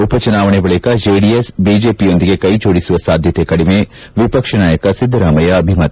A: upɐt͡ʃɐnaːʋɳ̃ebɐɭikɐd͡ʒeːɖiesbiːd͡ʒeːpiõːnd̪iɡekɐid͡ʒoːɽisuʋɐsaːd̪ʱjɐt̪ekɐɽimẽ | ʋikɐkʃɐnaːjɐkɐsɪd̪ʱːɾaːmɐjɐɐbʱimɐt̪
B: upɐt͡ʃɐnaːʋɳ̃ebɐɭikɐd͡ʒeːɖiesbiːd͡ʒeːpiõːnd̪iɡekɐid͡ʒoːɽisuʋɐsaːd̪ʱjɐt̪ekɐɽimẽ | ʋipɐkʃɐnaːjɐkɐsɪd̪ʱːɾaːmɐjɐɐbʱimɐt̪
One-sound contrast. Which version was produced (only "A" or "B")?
B